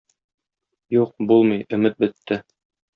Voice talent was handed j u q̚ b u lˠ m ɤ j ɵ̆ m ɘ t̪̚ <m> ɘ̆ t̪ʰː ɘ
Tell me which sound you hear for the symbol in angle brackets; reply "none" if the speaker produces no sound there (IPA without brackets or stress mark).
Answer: b